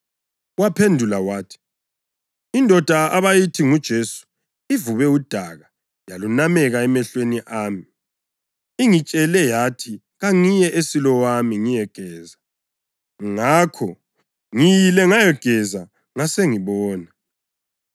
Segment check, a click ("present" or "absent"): absent